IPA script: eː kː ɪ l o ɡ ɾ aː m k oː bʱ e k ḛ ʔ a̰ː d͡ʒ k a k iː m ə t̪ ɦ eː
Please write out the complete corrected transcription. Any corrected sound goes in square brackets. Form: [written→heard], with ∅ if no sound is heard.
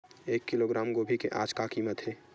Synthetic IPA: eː kː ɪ l o ɡ ɾ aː m [k→ɡ] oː bʱ [e→i] k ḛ ʔ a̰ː d͡ʒ k a k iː m ə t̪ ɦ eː